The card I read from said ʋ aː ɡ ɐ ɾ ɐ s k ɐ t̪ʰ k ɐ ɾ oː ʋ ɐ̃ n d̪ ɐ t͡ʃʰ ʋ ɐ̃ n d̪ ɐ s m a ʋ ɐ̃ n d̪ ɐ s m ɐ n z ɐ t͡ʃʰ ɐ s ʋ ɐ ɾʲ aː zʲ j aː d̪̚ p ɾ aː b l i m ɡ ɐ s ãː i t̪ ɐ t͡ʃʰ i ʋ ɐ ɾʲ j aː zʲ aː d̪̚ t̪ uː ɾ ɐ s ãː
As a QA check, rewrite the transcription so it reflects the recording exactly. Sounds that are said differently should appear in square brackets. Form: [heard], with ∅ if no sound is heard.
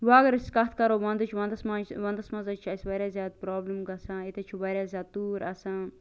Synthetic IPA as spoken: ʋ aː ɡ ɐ ɾ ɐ s k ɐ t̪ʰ k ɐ ɾ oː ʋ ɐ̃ n d̪ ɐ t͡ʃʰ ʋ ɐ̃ n d̪ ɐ s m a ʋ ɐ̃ n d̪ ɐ s m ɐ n z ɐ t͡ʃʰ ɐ s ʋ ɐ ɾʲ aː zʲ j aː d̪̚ p ɾ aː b l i m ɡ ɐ s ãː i t̪ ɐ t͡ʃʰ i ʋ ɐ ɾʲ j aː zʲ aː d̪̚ t̪ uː ɾ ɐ s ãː